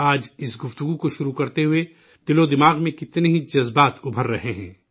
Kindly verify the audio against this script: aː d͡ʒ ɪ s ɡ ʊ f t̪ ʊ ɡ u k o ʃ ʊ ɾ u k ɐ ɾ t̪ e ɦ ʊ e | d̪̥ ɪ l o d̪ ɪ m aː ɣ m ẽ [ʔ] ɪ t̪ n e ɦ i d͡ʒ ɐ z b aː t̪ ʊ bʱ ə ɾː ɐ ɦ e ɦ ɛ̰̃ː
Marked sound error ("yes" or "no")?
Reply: yes